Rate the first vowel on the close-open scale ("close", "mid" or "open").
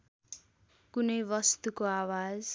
close